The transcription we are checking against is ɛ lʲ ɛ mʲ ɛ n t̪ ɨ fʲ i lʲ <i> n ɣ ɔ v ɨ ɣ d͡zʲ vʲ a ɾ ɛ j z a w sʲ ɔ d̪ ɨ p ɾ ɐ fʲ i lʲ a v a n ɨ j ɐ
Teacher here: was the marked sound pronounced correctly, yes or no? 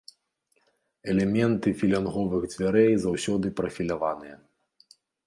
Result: no